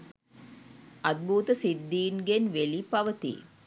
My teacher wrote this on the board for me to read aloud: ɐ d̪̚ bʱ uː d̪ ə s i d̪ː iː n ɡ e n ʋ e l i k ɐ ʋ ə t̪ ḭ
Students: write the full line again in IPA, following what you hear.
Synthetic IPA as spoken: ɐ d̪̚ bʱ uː t̪ ə s i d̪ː iː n ɡ e n ʋ e l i p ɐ ʋ ə t̪ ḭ